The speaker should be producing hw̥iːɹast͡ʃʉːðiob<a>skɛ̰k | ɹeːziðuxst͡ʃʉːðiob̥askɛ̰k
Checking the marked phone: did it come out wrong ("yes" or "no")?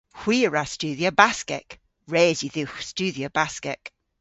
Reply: no